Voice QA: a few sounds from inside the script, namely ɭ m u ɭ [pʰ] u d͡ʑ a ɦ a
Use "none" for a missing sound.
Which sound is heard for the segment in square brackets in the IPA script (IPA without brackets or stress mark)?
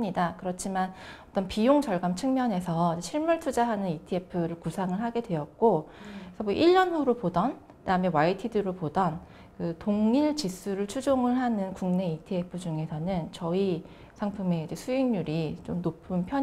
tʰ